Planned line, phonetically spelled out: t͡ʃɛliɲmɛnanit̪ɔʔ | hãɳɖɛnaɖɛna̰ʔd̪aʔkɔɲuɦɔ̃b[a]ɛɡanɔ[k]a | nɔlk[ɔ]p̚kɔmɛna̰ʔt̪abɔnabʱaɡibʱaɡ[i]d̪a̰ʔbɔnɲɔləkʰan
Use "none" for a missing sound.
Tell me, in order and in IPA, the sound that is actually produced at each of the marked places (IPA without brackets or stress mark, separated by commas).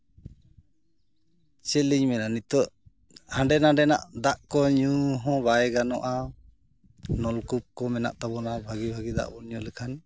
a, ʔ, u, i